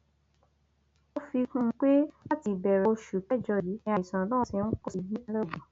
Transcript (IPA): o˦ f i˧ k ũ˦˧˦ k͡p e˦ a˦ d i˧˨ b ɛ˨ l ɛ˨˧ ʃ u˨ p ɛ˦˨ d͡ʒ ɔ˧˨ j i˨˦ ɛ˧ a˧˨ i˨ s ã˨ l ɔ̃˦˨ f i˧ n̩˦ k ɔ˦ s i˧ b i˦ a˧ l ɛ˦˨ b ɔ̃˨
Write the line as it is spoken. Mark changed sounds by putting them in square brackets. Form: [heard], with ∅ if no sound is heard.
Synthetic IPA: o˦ f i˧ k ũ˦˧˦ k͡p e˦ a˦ [t] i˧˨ b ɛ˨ [ɾ] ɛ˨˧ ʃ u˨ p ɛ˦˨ d͡ʒ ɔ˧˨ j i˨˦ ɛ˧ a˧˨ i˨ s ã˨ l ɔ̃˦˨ [s] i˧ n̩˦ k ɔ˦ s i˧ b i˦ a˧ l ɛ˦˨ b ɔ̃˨